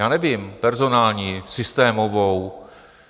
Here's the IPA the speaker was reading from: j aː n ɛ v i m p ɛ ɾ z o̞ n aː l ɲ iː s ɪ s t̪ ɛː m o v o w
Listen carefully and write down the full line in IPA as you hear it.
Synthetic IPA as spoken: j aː n ɛ v i m p ɛ ɾ z o̞ n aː l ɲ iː s ɪ s t̪ ɛː m o v o w